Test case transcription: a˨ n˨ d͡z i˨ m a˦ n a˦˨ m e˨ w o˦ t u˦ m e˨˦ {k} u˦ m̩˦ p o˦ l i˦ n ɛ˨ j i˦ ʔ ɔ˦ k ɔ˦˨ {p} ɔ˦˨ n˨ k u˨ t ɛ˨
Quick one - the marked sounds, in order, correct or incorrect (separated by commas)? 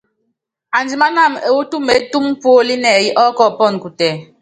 incorrect, correct